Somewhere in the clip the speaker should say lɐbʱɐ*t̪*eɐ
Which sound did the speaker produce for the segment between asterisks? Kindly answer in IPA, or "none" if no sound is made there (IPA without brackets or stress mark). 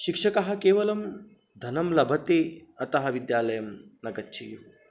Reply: t̪